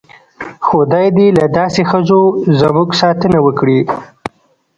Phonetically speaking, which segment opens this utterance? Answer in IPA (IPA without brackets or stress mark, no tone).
x